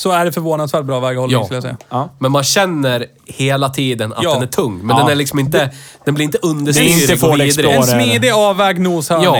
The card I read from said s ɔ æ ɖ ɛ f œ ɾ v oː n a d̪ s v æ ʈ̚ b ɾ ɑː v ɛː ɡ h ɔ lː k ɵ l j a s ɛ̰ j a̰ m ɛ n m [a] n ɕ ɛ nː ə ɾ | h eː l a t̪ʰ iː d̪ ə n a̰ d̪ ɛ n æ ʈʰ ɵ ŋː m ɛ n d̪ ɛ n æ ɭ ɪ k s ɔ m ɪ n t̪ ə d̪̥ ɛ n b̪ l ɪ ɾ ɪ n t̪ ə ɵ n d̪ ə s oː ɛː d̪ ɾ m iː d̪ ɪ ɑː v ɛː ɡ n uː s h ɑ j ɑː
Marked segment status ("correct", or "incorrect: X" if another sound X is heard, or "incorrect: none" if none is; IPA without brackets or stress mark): correct